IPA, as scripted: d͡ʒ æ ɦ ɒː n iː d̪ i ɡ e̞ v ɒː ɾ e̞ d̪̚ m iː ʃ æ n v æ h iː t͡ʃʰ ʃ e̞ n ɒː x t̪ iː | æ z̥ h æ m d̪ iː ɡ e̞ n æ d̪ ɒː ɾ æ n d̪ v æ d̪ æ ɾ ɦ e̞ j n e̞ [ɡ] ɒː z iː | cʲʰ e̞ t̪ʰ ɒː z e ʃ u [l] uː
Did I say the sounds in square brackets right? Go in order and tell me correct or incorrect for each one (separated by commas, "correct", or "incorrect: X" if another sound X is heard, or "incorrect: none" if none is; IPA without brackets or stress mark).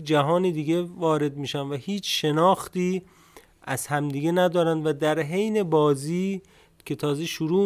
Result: incorrect: b, incorrect: ɾ